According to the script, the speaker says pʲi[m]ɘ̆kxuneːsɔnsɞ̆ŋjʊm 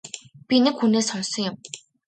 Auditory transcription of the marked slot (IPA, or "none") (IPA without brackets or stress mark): n